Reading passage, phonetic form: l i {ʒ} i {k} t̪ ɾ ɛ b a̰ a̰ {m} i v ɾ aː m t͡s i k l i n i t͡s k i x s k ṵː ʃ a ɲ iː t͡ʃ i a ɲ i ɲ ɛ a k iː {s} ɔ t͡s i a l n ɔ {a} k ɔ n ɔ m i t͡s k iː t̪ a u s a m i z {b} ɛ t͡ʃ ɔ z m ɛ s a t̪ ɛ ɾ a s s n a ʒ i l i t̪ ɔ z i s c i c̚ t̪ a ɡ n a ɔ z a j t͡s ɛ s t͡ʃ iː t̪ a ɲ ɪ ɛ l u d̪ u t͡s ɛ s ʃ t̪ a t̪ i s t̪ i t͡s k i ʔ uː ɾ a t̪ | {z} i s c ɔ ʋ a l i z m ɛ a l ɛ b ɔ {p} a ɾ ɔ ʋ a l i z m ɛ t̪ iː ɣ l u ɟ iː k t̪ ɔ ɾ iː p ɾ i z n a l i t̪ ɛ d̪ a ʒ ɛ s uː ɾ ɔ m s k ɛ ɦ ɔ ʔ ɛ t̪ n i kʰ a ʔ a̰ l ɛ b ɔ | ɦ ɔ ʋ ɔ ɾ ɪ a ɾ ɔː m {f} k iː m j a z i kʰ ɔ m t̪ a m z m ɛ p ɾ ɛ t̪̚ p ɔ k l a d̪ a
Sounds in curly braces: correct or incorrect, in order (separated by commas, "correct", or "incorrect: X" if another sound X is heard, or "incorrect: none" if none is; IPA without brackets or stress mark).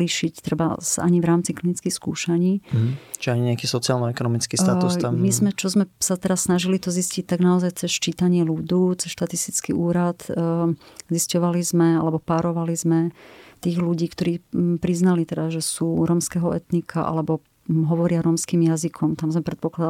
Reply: incorrect: ʃ, incorrect: c, incorrect: ɲ, correct, incorrect: ɛ, incorrect: m, correct, correct, incorrect: s